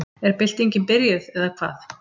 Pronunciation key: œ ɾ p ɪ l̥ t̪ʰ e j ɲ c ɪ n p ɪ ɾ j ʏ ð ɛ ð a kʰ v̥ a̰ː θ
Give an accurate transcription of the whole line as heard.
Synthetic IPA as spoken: ɛ ɾ p ɪ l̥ t̪ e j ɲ c ɪ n p ɪ ɾ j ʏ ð ɛ ð a kʰ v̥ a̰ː θ